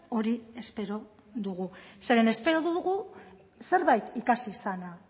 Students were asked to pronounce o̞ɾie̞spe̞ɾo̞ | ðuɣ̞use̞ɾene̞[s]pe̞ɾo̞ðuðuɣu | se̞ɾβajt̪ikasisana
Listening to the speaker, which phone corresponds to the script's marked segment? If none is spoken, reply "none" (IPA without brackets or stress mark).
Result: s